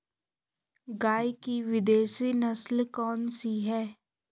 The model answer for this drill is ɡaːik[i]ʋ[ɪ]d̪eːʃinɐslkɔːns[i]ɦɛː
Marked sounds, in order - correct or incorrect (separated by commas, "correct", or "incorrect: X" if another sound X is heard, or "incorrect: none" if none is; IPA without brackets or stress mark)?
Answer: correct, correct, correct